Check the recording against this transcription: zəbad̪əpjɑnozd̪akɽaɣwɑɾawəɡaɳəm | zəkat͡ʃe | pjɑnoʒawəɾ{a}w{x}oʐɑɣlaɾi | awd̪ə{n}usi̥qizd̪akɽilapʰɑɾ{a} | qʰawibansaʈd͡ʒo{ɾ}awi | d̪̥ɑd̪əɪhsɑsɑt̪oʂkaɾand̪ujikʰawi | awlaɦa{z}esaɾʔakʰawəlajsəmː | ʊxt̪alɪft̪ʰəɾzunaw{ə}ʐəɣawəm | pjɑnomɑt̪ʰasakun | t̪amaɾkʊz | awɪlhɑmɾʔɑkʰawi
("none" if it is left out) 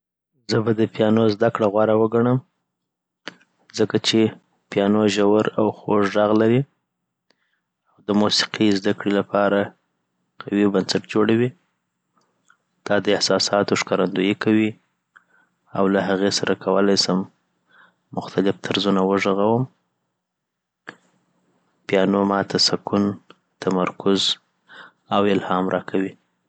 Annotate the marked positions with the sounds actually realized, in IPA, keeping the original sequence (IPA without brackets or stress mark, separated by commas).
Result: a, x, m, a, ɽ, ɣ, ə